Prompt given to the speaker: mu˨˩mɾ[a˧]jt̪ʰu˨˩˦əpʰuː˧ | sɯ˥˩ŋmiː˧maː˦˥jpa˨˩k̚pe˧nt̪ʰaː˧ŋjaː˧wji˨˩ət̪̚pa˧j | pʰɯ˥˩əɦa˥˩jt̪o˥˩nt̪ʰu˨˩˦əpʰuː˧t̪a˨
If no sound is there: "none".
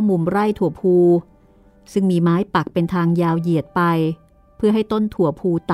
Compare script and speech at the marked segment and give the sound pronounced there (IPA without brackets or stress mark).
a˥˩